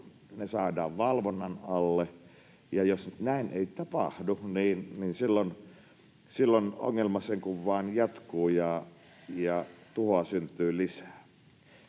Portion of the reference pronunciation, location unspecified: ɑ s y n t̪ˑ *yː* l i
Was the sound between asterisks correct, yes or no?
yes